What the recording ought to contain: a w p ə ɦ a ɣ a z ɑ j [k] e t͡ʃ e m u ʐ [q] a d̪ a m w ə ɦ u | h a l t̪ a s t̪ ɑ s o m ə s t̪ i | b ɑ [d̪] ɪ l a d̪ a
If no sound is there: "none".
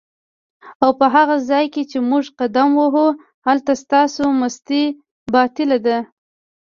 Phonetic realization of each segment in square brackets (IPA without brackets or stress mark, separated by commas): k, q, t̪